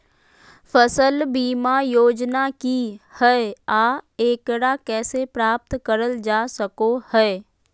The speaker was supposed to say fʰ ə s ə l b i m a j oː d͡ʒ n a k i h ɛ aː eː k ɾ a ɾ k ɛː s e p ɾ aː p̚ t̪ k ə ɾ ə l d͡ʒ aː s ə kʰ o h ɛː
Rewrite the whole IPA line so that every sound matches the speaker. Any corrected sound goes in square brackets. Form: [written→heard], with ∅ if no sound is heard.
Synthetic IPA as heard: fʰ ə s ə l b [i→iː] m a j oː d͡ʒ n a k i h ɛ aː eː k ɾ a [ɾ→∅] k ɛː s e p ɾ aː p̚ t̪ k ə ɾ ə l d͡ʒ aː s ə [kʰ→k] o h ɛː